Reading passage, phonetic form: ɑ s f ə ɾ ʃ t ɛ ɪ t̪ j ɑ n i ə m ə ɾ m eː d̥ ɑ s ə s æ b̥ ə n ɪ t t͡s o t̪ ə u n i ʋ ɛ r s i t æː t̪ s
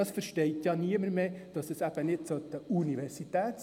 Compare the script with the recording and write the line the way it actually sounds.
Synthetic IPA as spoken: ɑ s f ə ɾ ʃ t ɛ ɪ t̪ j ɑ n i ə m ə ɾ m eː d̥ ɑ s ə s æ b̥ ə n ɪ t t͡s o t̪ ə u n i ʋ ɛ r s i t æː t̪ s

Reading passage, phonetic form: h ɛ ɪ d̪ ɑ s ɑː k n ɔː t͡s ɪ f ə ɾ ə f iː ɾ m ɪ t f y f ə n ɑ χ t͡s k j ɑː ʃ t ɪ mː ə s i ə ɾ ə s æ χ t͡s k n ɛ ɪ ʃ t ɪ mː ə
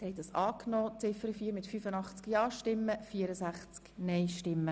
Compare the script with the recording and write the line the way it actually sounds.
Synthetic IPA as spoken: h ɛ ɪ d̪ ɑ s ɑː k n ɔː t͡s ɪ f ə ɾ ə f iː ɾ m ɪ t f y f ə n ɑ χ t͡s k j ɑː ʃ t ɪ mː ə f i ə ɾ ə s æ χ t͡s k n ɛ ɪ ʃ t ɪ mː ə

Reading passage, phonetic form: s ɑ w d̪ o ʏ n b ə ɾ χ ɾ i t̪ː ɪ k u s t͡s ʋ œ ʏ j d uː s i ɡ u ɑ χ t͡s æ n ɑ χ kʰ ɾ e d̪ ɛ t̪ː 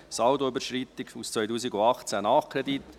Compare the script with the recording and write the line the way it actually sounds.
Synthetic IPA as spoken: s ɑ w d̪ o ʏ b ə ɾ ʃ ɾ i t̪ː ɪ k u s t͡s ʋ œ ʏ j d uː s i ɡ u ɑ χ t͡s æ n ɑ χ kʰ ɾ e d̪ i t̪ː

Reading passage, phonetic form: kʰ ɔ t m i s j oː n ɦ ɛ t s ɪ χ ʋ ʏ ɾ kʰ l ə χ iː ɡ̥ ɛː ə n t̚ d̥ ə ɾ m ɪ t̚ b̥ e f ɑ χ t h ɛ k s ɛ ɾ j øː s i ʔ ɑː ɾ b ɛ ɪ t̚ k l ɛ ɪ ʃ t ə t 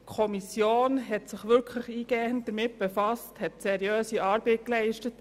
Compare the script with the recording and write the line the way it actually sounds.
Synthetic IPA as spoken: kʰ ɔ m i s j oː n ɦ ɛ t s ɪ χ ʋ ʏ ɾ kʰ l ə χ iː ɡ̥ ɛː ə n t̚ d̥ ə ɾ m ɪ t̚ b̥ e f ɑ s t h ɛ t s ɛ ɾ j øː s i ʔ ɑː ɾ b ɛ ɪ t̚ k l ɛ ɪ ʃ t ə t

